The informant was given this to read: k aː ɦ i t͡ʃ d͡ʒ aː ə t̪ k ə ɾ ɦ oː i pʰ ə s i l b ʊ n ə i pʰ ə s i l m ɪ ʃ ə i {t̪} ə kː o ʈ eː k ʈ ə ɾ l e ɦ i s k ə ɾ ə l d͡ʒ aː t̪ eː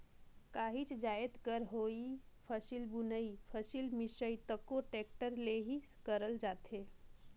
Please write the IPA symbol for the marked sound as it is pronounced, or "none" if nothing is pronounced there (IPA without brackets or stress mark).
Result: t̪